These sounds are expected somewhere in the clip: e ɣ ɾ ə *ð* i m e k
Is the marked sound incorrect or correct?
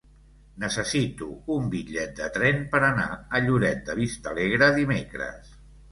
correct